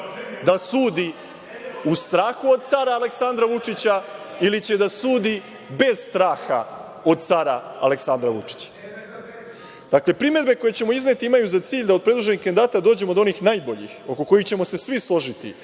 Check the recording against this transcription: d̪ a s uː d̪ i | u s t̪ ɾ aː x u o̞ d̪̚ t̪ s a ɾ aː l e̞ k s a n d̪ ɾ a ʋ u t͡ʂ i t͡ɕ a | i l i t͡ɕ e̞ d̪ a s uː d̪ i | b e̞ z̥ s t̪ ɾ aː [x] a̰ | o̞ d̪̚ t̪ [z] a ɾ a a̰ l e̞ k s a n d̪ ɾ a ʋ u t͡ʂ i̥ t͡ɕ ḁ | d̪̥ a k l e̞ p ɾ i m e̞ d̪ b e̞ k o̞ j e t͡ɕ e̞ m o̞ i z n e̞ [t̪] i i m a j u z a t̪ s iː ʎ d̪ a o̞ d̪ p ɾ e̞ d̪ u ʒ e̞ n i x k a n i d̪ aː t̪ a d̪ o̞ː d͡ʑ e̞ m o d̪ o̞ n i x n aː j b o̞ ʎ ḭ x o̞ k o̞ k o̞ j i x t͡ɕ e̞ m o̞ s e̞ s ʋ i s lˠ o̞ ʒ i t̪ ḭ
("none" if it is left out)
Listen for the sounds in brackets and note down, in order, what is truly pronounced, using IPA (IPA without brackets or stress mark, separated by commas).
x, s, t̪